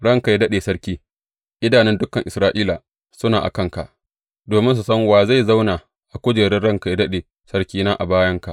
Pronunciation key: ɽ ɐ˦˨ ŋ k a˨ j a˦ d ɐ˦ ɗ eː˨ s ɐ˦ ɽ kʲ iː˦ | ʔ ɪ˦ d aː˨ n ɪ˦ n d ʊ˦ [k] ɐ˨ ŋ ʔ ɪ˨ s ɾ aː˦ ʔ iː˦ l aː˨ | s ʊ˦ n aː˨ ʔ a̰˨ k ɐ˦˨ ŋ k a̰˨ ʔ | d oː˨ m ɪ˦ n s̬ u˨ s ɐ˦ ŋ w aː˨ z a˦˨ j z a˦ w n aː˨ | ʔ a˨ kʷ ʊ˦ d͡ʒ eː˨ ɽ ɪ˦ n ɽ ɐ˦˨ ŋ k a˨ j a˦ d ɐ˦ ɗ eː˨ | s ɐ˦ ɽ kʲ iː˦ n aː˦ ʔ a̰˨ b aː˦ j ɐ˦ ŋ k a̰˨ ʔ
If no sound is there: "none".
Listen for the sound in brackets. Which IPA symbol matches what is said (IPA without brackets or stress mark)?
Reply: k